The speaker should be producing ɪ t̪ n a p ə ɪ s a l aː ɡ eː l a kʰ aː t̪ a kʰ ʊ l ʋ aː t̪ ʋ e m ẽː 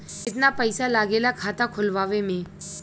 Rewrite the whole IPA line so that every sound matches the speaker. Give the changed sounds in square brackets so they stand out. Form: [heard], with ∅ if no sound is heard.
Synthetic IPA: ɪ t̪ n a p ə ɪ s a l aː ɡ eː l a kʰ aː t̪ a kʰ ʊ l ʋ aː [∅] ʋ e m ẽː